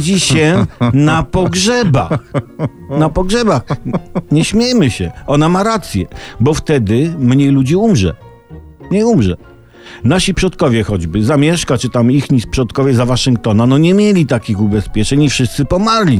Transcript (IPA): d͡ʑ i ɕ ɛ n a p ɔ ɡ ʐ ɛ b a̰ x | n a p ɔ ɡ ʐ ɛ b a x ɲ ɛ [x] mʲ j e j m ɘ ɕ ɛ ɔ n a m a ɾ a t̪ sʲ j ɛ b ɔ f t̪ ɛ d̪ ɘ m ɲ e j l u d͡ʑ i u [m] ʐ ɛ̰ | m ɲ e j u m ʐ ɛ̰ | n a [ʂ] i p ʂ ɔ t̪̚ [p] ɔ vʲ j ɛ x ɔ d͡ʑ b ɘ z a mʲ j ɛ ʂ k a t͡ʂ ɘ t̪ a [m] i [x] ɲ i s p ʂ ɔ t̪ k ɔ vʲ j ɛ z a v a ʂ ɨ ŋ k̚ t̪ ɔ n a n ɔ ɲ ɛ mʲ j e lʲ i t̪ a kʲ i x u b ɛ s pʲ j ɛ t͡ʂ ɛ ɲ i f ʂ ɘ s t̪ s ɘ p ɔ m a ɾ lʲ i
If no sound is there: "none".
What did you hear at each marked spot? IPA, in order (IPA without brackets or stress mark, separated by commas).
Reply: ɕ, m, ɕ, k, m, x